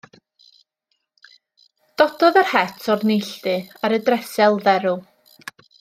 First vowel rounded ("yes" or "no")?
yes